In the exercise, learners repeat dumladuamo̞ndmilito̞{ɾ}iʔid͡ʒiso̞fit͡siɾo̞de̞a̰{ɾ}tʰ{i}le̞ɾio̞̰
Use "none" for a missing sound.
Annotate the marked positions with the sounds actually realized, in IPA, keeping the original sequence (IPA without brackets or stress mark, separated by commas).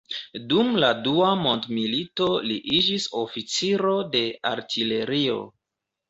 l, ɾ, i